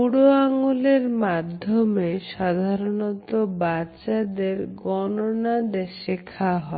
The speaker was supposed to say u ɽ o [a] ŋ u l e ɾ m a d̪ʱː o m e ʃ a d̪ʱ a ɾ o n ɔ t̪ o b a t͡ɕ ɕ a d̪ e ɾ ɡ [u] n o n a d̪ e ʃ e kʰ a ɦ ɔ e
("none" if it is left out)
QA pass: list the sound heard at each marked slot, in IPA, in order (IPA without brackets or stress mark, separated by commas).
a, ɔ